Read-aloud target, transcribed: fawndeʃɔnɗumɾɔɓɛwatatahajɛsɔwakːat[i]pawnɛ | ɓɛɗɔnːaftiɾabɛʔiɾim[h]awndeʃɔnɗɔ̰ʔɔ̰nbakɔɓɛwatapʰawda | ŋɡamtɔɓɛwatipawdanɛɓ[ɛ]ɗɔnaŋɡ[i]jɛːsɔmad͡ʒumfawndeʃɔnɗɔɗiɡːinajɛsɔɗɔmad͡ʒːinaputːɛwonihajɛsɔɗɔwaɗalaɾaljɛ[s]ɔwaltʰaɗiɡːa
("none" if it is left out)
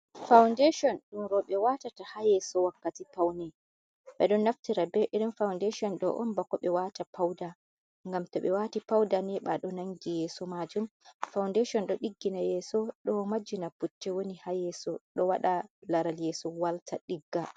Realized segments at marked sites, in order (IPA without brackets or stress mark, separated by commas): i, f, a, i, s